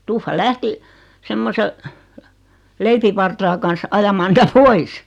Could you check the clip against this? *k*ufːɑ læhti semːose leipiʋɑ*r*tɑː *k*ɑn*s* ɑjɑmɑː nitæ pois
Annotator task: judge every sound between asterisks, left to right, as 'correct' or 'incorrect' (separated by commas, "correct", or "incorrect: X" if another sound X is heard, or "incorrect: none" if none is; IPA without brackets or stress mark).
incorrect: t, correct, correct, correct